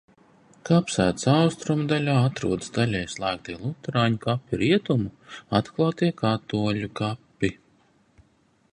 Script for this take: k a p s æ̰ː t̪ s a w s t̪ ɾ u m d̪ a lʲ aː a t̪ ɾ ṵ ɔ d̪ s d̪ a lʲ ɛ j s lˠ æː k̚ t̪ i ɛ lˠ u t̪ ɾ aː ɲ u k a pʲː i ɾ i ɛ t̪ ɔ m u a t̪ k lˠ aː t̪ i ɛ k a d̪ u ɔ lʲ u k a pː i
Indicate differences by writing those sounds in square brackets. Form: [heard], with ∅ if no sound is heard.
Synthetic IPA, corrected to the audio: k a p s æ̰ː t̪ s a w s t̪ ɾ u m d̪ a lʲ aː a t̪ ɾ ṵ ɔ d̪ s d̪ a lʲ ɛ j s lˠ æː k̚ t̪ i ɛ lˠ u t̪ ɾ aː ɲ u k a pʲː i ɾ i ɛ t̪ [u] m u a t̪ k lˠ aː t̪ i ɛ k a [t̪] u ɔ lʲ u k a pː i

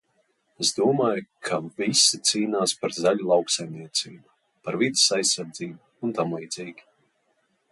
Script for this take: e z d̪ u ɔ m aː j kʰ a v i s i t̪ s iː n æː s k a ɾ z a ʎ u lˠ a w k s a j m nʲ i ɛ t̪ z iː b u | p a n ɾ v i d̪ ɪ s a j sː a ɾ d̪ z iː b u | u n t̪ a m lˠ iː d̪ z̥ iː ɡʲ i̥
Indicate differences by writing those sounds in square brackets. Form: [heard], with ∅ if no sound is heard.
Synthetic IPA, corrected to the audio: e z d̪ u ɔ m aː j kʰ a v i s i t̪ s iː n [aː] s [p] a ɾ z a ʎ u lˠ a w k s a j m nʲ i ɛ t̪ [s] iː b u | p a [∅] ɾ v i d̪ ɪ s a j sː a ɾ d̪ z iː b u | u n t̪ a m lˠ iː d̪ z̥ iː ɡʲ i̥

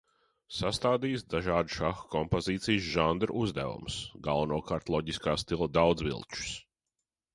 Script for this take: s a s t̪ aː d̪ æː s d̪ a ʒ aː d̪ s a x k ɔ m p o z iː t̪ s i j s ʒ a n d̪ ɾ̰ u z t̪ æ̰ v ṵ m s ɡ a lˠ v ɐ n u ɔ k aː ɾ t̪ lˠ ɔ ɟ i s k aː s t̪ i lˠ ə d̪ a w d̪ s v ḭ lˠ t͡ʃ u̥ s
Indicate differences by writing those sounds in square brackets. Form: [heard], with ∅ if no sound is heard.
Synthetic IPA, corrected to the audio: s a s t̪ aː d̪ [iː] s d̪ a ʒ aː d̪ [ʃ] a x k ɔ m p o z iː t̪ s i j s ʒ a n d̪ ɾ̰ u z [d̪] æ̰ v ṵ m s ɡ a lˠ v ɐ n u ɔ k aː ɾ t̪ lˠ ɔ ɟ i s k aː s t̪ i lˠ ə d̪ a w d̪ [z] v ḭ lˠ t͡ʃ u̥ s

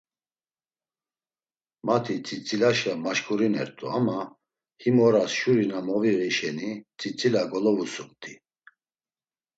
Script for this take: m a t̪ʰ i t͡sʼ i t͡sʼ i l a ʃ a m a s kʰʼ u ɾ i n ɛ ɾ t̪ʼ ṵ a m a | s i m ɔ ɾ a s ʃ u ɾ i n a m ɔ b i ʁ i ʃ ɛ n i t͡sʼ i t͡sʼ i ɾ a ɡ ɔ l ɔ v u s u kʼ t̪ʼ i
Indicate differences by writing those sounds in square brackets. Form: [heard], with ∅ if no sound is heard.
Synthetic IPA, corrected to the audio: m a t̪ʰ i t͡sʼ i t͡sʼ i l a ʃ a m a [ʃ] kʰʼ u ɾ i n ɛ ɾ t̪ʼ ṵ a m a | [h] i m ɔ ɾ a s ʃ u ɾ i n a m ɔ [v] i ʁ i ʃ ɛ n i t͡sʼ i t͡sʼ i [l] a ɡ ɔ l ɔ v u s u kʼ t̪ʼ i

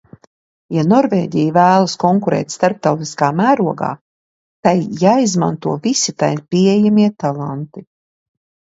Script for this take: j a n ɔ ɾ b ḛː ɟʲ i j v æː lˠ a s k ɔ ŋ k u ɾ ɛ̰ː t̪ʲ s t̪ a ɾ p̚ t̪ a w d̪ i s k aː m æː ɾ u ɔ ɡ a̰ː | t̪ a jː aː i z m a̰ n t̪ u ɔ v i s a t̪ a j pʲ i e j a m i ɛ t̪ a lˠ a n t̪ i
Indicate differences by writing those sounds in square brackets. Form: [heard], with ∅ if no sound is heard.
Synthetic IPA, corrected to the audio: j a n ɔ ɾ [v] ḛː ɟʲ i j v æː lˠ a s k ɔ ŋ k u ɾ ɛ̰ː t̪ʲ s t̪ a ɾ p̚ t̪ a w [t̪] i s k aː m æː ɾ u ɔ ɡ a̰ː | t̪ a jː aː i z m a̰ n t̪ u ɔ v i s [i] t̪ a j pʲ i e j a m i ɛ t̪ a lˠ a n t̪ i

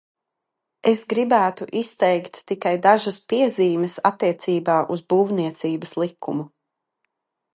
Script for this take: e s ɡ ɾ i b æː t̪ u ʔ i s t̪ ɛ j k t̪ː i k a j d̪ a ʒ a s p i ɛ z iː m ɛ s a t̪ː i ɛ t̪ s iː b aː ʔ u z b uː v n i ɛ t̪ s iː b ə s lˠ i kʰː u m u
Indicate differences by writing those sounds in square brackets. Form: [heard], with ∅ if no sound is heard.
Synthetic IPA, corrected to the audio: e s ɡ ɾ i b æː t̪ u ʔ i s t̪ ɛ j k t̪ː i k a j d̪ a ʒ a s p i ɛ z iː m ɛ s a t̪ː i ɛ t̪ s iː b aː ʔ u z b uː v n i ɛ t̪ s iː b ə s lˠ i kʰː u m u

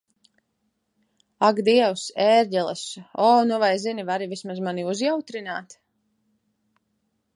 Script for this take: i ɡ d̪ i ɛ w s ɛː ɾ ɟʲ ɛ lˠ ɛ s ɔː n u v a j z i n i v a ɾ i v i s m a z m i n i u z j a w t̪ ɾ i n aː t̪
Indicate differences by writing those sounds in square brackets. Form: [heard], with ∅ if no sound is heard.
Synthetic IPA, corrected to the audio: [a] ɡ d̪ i ɛ w s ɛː ɾ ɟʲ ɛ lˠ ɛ s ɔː n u v a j z i n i v a ɾ i v i s m a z m [a] n i u z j a w t̪ ɾ i n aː t̪

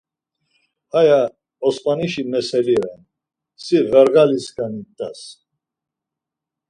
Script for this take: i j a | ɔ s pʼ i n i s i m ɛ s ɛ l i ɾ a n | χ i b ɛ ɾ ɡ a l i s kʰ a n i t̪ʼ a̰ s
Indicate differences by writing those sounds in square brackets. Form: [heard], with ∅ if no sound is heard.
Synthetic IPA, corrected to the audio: [a] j a | ɔ s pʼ [a] n i [ʃ] i m ɛ s ɛ l i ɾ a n | [s] i [v] ɛ ɾ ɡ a l i s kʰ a n i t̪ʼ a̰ s

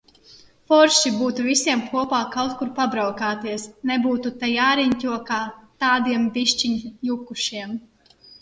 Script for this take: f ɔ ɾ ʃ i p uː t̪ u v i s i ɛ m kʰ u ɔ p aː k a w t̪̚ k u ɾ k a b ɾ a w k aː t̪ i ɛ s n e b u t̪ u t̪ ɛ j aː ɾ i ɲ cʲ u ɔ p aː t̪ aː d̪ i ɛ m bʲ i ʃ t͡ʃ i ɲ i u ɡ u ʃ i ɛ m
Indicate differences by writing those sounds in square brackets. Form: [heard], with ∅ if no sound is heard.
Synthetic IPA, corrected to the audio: f ɔ ɾ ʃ i [b] uː t̪ u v i s i ɛ m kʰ u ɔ p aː k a w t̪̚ k u ɾ [p] a b ɾ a w k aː t̪ i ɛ s n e b [uː] t̪ u t̪ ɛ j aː ɾ i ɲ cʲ u ɔ [k] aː t̪ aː d̪ i ɛ m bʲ i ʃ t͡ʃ i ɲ [j] u [k] u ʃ i ɛ m

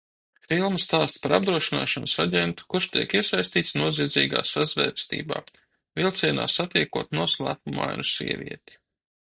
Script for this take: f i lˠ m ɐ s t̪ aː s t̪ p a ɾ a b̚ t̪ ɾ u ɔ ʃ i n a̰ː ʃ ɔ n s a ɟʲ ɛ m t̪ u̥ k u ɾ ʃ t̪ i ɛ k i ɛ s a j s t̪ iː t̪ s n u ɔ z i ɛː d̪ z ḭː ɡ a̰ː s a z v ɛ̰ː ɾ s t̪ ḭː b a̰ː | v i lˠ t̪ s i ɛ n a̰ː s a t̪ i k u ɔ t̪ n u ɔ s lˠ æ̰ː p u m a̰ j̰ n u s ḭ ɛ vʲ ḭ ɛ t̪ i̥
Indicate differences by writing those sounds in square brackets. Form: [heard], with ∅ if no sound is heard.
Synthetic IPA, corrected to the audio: f i lˠ m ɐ s t̪ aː s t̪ p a ɾ a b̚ [d̪] ɾ u ɔ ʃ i n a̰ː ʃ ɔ n s a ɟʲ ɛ [n] t̪ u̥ k u ɾ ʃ t̪ i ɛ k i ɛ s a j s t̪ iː t̪ s n u ɔ z i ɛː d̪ z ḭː ɡ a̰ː s a z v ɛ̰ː ɾ s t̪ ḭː b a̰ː | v i lˠ t̪ s i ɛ n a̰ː s a t̪ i k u ɔ t̪ n u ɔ s lˠ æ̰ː p u m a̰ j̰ n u s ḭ ɛ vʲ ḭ ɛ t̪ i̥

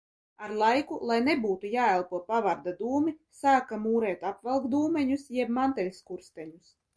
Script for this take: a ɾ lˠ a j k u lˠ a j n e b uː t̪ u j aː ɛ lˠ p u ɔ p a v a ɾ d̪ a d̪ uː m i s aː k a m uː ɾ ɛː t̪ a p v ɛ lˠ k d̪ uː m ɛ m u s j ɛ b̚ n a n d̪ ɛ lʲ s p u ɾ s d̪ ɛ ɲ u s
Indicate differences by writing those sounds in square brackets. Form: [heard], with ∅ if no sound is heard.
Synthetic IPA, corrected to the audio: a ɾ lˠ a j k u lˠ a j n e b uː t̪ u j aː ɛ lˠ p u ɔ p a v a ɾ d̪ a d̪ uː m i s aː k a m uː ɾ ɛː t̪ a p v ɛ lˠ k d̪ uː m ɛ [ɲ] u s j ɛ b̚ [m] a n [t̪] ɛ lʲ s [k] u ɾ s [t̪] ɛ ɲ u s

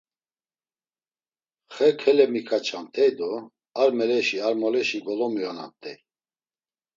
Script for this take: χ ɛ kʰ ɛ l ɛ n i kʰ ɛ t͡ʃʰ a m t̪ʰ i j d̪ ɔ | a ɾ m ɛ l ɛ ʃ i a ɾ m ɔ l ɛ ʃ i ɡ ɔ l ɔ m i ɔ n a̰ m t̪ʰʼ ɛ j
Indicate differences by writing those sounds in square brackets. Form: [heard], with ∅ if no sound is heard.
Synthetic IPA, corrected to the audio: χ ɛ kʰ ɛ l ɛ [m] i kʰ [a] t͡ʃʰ a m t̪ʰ [ɛ] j d̪ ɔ | a ɾ m ɛ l ɛ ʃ i a ɾ m ɔ l ɛ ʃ i ɡ ɔ l ɔ m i ɔ n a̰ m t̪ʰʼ ɛ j

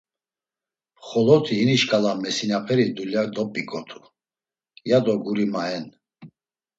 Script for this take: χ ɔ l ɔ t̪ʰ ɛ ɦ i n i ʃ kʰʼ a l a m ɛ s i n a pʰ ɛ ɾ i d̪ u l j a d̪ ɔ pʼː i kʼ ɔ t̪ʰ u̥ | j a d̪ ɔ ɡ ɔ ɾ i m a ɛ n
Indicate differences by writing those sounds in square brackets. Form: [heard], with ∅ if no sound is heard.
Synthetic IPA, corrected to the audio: χ ɔ l ɔ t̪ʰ [i] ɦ i n i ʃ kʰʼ a l a m ɛ s i n a pʰ ɛ ɾ i d̪ u l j a d̪ ɔ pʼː i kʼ ɔ t̪ʰ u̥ | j a d̪ ɔ ɡ [u] ɾ i m a ɛ n

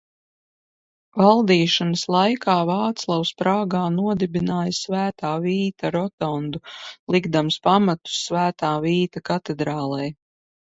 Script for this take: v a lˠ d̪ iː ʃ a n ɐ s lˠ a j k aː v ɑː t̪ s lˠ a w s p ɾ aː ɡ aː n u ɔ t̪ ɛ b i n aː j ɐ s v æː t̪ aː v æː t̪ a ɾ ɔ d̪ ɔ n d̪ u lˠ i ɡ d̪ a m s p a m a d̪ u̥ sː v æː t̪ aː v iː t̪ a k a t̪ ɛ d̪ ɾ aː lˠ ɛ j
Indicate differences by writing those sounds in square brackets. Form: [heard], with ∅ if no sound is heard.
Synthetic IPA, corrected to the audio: v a lˠ d̪ iː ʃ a n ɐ s lˠ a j k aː v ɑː t̪ s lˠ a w s p ɾ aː ɡ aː n u ɔ [d̪] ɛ b i n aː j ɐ s v æː t̪ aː v [iː] t̪ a ɾ ɔ [t̪] ɔ n d̪ u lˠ i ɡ d̪ a m s p a m a [t̪] u̥ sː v æː t̪ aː v iː t̪ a k a t̪ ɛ d̪ ɾ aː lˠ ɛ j

